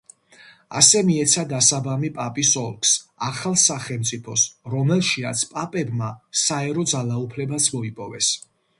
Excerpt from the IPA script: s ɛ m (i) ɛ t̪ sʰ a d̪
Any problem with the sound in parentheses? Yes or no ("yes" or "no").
no